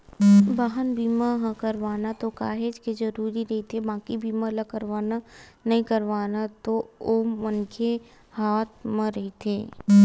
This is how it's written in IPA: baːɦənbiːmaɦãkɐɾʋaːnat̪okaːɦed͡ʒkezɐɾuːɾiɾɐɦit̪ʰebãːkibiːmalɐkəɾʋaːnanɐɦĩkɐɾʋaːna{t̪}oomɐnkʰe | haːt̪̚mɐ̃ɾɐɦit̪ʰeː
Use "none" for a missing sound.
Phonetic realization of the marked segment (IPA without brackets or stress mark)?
t̪